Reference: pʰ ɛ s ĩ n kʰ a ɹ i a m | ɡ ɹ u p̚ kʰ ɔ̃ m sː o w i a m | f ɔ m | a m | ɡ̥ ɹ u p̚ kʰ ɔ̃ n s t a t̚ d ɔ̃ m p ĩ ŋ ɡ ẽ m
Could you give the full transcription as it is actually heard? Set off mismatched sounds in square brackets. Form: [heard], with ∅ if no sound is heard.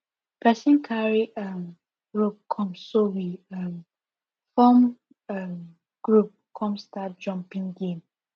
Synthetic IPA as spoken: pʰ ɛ s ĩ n kʰ a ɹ i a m | ɡ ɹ u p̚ kʰ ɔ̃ m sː o w i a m | f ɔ m | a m | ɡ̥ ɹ u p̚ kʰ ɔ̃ [m] s t a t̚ [d͡ʒ] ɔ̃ m p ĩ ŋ ɡ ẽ m